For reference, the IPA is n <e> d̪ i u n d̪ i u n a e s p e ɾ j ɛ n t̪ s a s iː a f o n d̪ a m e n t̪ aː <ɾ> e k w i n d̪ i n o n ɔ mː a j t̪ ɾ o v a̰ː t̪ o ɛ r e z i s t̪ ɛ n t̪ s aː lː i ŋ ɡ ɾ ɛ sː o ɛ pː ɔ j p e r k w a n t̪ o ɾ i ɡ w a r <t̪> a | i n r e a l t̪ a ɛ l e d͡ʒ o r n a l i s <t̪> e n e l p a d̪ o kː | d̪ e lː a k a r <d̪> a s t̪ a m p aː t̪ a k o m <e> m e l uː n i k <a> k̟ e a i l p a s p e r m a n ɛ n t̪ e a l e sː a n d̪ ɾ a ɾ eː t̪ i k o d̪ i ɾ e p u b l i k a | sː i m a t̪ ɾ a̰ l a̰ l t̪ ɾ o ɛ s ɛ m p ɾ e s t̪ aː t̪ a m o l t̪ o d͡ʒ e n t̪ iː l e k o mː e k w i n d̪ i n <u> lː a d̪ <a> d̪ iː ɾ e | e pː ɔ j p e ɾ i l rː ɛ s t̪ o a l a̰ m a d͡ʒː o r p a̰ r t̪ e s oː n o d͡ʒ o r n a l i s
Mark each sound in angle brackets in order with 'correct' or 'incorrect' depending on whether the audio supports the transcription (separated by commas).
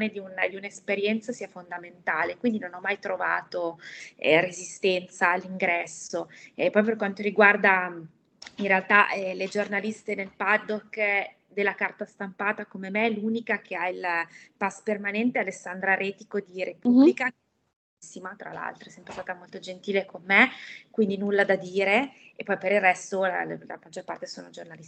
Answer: correct, incorrect, incorrect, correct, incorrect, correct, correct, correct, correct